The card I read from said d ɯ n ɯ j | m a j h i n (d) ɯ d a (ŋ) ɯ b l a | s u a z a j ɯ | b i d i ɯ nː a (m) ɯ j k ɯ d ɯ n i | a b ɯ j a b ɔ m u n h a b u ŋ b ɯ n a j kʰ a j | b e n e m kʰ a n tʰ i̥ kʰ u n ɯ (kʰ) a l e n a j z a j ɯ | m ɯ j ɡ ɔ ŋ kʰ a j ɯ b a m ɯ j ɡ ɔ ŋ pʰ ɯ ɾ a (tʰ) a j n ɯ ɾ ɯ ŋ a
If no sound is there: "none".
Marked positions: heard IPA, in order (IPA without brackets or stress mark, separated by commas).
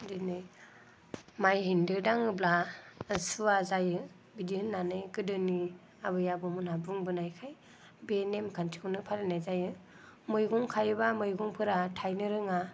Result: d, ŋ, n, pʰ, tʰ